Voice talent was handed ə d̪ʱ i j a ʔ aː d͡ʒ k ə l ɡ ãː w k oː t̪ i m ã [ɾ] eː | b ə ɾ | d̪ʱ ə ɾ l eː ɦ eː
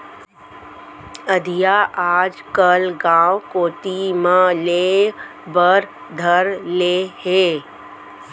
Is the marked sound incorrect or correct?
incorrect